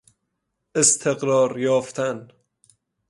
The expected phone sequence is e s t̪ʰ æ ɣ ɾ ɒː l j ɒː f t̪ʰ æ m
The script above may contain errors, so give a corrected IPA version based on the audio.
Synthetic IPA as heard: e s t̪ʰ e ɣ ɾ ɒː ɾ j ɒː f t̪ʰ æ n